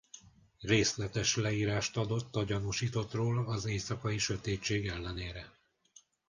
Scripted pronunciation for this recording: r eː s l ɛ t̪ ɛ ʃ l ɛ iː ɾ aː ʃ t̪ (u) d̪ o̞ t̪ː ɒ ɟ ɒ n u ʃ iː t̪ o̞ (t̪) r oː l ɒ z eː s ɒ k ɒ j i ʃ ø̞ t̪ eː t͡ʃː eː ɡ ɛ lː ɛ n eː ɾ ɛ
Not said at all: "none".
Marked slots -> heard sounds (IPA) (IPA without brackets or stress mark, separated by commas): ɒ, t̪